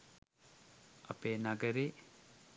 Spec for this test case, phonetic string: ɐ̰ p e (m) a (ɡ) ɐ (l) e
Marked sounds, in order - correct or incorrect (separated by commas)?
incorrect, correct, incorrect